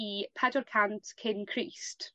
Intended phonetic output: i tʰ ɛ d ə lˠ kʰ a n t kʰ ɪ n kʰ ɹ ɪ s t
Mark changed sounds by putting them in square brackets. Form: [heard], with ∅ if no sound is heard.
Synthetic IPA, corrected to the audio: i [pʰ] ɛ d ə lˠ kʰ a n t kʰ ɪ n kʰ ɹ [i] s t